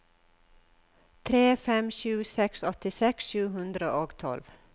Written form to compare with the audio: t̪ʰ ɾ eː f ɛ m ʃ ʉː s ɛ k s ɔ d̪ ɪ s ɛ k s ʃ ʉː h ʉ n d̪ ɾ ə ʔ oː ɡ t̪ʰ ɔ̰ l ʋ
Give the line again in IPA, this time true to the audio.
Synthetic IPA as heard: t̪ʰ ɾ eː f ɛ m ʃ ʉː s ɛ k s ɔ t̪ ɪ s ɛ k s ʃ ʉː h ʉ n d̪ ɾ ə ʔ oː ɡ t̪ʰ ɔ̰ l ʋ